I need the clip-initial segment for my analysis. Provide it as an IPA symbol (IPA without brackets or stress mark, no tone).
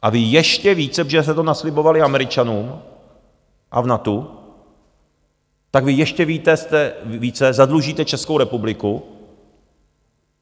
ʔ